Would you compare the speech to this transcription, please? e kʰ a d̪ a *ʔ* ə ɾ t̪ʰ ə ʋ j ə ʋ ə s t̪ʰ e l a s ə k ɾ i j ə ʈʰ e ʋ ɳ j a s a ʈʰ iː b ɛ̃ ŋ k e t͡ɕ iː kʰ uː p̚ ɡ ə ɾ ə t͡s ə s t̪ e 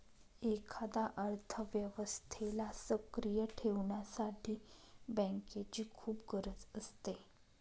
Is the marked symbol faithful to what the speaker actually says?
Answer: yes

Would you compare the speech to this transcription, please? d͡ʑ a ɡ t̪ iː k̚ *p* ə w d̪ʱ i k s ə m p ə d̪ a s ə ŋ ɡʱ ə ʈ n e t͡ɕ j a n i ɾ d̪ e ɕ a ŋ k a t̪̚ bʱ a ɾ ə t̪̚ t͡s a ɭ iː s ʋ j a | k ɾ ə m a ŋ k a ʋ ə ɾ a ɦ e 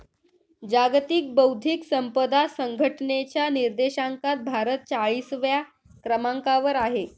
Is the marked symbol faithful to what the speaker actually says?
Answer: no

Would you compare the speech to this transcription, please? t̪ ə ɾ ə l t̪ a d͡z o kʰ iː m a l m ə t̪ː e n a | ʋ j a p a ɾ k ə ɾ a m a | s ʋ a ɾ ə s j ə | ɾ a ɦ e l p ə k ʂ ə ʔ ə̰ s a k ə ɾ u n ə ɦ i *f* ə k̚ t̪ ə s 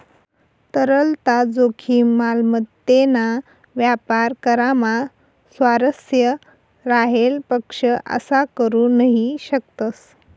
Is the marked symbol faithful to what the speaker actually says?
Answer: no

